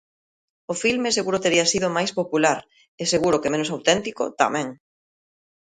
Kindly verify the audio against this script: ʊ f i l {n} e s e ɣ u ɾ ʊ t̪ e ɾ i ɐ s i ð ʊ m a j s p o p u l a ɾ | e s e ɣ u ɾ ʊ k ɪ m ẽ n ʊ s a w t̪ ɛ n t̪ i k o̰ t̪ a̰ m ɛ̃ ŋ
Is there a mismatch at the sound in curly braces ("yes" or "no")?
yes